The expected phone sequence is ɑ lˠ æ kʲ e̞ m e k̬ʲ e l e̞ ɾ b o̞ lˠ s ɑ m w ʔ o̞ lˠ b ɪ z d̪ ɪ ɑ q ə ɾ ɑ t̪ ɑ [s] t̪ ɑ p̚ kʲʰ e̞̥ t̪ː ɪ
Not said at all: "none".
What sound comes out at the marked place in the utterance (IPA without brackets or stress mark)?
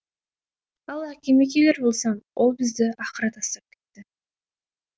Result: s